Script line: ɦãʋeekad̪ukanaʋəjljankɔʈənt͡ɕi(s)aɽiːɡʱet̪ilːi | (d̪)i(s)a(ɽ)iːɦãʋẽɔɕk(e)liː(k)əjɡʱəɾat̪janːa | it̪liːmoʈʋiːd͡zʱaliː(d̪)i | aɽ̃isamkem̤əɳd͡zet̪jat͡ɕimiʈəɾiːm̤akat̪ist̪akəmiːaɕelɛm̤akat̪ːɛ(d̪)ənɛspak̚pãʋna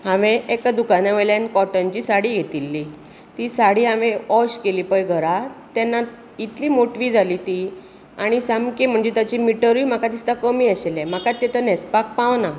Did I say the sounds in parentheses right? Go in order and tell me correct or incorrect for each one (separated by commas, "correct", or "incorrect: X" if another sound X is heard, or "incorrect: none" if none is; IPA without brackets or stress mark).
correct, incorrect: t̪, correct, correct, correct, incorrect: p, incorrect: t̪, incorrect: t̪